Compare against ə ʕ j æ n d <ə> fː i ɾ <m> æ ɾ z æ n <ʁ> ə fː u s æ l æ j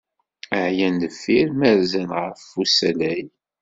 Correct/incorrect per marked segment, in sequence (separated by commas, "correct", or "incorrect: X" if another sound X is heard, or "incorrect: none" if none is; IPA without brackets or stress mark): correct, correct, correct